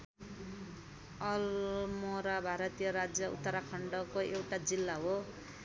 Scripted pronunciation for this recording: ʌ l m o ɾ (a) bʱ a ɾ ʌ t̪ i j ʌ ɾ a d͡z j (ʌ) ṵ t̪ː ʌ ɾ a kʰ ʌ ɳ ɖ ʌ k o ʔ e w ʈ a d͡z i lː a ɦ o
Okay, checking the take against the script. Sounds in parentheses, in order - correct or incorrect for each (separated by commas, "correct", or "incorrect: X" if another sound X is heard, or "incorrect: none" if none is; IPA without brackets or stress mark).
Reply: correct, correct